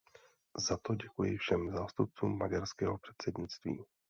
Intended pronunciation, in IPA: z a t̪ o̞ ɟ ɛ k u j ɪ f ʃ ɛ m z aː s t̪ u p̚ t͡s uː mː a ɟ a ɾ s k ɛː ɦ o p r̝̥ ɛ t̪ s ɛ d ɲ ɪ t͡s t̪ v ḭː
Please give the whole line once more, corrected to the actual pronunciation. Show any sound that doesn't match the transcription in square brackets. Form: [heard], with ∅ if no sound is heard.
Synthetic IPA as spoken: z a t̪ o̞ ɟ ɛ k u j ɪ f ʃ ɛ m z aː s t̪ u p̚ t͡s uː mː a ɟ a ɾ s k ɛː ɦ o p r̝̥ ɛ t̪ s ɛ d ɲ ɪ t͡s t̪ v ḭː